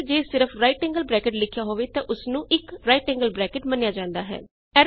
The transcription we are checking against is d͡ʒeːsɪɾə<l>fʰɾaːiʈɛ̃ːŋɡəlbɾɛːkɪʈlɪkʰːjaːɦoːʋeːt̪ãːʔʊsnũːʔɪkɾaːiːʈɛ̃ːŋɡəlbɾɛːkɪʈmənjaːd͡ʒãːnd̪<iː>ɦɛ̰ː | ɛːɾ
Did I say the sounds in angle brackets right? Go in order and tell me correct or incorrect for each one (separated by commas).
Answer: incorrect, incorrect